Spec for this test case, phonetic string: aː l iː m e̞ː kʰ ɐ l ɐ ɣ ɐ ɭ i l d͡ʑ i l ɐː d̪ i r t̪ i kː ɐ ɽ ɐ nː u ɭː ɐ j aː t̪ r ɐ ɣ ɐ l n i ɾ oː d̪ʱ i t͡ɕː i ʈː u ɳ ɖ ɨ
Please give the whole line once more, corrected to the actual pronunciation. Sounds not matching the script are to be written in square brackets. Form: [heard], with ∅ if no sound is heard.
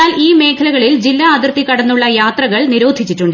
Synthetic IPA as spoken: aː l iː m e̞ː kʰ ɐ l ɐ ɣ ɐ ɭ i l d͡ʑ i [lː] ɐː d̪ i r t̪ i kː ɐ ɽ ɐ nː u ɭː ɐ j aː t̪ r ɐ ɣ ɐ [ɭ] n i ɾ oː d̪ʱ i t͡ɕː i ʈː u ɳ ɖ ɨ